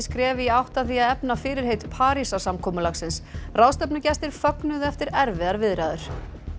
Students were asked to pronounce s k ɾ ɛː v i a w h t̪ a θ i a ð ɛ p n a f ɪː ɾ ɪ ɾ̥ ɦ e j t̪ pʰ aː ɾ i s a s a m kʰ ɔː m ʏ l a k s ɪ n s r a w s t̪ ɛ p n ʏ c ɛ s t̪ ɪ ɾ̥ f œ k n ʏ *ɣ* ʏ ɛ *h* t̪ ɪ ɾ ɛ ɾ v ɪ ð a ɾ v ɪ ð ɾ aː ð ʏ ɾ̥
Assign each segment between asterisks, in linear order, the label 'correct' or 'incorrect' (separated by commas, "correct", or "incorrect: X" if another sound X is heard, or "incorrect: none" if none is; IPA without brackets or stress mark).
incorrect: ð, incorrect: f